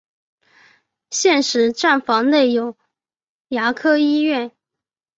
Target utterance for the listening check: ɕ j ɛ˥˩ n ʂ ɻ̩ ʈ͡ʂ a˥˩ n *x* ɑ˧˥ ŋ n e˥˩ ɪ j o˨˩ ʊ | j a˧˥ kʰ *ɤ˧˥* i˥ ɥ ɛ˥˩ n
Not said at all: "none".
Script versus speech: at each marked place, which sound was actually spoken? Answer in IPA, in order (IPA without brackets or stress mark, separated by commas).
f, ɤ˥